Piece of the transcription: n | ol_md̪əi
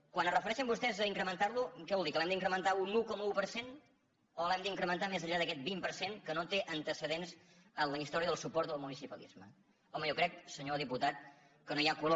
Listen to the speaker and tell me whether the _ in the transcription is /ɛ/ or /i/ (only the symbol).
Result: ɛ